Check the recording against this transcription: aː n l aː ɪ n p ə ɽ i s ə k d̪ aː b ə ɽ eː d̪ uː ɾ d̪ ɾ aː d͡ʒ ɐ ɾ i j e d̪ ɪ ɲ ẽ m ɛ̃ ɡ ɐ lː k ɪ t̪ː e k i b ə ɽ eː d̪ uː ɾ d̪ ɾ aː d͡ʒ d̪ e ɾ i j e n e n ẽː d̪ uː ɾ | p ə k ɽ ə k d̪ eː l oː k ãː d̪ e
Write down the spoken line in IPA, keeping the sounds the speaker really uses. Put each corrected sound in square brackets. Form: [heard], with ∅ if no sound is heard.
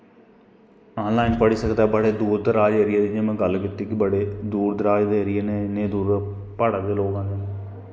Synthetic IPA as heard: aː n l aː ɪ n p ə ɽ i s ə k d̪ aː b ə ɽ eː d̪ uː ɾ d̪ ɾ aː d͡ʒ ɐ ɾ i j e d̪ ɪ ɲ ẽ m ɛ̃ ɡ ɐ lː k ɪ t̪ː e k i b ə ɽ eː d̪ uː ɾ d̪ ɾ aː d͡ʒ d̪ e ɾ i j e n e n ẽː d̪ uː ɾ | p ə [∅] ɽ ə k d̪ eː l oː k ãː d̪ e